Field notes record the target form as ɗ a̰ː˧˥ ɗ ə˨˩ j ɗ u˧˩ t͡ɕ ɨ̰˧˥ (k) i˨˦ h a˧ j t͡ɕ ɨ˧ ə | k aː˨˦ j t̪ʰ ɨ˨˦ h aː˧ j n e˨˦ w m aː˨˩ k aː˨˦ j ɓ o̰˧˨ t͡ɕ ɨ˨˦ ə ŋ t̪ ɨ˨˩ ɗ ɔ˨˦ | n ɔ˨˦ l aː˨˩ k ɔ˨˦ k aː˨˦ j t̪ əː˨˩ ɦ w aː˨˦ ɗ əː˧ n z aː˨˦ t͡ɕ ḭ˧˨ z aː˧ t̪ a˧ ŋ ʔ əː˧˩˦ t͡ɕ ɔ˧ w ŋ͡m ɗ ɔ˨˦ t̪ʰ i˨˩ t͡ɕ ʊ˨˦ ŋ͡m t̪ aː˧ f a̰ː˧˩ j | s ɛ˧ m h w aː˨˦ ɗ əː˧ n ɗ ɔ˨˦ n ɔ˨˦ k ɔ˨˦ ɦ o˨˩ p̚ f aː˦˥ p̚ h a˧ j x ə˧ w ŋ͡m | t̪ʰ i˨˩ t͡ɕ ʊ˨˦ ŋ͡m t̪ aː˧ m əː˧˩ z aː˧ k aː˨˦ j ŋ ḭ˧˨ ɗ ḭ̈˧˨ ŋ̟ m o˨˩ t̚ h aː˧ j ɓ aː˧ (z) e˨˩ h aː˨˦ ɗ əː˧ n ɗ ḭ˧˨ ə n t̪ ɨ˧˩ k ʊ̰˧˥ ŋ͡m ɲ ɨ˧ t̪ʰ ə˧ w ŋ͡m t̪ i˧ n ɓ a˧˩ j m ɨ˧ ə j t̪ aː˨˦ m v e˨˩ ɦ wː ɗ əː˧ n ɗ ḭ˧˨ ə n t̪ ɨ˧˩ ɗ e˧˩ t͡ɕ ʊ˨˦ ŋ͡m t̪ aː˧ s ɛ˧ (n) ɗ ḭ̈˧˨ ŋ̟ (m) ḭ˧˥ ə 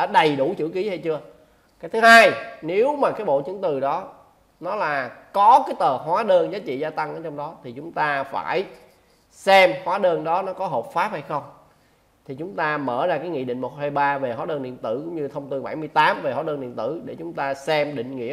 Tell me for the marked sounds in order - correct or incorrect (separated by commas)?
correct, incorrect, incorrect, incorrect